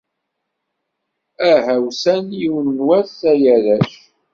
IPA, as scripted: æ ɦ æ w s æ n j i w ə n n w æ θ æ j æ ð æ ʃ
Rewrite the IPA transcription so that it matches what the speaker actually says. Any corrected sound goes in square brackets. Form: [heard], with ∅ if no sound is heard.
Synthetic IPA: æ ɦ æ w s æ n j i w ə n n w æ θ æ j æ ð æ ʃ